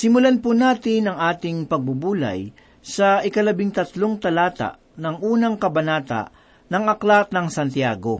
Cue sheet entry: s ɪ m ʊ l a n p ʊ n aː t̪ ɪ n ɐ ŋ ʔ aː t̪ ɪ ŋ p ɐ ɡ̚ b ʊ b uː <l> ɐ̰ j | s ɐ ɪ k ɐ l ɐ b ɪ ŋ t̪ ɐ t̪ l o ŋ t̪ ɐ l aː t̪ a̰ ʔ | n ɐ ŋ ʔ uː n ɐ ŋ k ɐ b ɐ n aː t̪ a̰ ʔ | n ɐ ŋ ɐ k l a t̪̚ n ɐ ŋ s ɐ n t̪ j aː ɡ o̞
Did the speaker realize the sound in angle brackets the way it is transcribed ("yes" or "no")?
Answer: yes